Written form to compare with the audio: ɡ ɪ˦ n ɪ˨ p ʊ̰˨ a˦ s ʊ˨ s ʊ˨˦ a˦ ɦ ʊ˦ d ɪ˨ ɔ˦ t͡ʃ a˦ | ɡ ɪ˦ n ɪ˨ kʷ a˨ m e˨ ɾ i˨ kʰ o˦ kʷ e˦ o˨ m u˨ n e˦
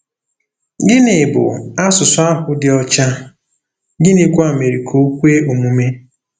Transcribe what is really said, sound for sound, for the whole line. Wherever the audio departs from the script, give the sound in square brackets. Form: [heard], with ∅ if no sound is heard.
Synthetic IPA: ɡ ɪ˦ n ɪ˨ [b] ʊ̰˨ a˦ s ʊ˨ s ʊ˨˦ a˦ ɦ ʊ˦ d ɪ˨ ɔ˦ t͡ʃ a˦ | ɡ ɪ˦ n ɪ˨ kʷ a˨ m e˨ ɾ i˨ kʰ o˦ kʷ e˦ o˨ m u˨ [m] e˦